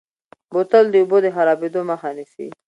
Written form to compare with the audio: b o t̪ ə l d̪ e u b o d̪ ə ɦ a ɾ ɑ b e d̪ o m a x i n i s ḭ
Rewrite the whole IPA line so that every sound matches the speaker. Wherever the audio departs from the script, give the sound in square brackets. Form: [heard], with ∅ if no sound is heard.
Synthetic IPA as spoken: b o t̪ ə l d̪ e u b o d̪ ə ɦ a ɾ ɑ b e d̪ o m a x [a] n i s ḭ